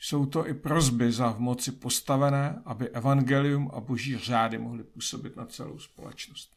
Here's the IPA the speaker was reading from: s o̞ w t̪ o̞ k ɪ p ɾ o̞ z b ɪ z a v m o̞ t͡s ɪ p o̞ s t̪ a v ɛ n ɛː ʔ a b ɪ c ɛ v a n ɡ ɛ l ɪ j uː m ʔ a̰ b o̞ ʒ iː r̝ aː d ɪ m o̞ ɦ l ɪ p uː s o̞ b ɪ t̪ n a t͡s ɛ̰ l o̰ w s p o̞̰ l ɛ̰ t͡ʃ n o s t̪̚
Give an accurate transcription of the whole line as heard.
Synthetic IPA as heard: s o̞ w t̪ o̞ ʔ ɪ p ɾ o̞ z b ɪ z a v m o̞ t͡s ɪ p o̞ s t̪ a v ɛ n ɛː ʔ a b ɪ ʔ ɛ v a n ɡ ɛ l ɪ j u m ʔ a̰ b o̞ ʒ iː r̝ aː d ɪ m o̞ ɦ l ɪ p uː s o̞ b ɪ t̪ n a t͡s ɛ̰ l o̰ w s p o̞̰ l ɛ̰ t͡ʃ n o s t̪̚